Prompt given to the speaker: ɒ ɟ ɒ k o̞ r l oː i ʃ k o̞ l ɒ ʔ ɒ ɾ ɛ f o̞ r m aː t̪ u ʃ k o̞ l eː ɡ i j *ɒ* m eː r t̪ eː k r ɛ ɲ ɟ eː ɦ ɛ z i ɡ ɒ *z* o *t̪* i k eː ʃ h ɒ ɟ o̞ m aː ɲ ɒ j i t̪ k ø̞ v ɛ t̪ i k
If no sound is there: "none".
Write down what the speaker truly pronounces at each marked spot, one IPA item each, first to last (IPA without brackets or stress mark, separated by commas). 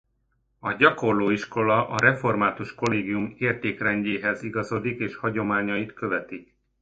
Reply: u, z, d̪